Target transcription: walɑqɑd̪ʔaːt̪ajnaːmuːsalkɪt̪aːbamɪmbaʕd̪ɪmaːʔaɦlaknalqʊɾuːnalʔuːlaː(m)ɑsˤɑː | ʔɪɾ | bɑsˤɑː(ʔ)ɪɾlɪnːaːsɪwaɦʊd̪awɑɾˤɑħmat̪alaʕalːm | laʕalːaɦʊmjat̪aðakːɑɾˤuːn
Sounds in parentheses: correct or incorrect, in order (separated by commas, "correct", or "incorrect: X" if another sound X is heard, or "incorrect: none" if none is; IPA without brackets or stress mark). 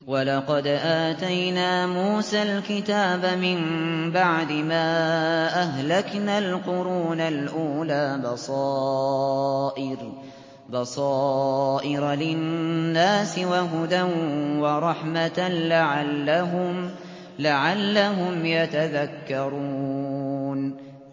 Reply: incorrect: b, correct